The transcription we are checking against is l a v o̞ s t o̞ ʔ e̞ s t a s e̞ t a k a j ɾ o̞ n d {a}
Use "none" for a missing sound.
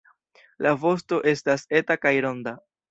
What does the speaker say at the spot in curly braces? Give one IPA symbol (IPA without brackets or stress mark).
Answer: a